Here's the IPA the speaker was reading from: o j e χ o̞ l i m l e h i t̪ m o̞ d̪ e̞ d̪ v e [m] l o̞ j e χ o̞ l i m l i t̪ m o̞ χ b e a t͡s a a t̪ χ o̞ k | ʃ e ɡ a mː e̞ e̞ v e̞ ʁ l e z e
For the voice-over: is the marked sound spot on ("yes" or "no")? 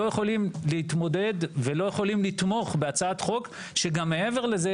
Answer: no